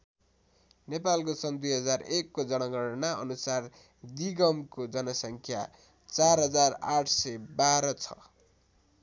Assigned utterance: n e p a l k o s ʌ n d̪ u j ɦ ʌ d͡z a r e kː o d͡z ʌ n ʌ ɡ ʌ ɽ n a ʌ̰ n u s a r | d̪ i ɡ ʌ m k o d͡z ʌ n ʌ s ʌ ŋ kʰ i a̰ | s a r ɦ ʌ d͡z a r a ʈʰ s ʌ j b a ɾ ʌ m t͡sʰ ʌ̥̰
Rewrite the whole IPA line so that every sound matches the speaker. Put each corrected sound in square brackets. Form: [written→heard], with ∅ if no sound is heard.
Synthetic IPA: n e p a l k o s ʌ n d̪ u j ɦ ʌ d͡z a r e kː o d͡z ʌ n ʌ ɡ ʌ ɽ n a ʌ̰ n u s a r | d̪ i ɡ ʌ m k o d͡z ʌ n ʌ s ʌ ŋ kʰ [i→j] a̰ | [s→t͡s] a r ɦ ʌ d͡z a r a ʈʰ s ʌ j b a ɾ ʌ [m→∅] t͡sʰ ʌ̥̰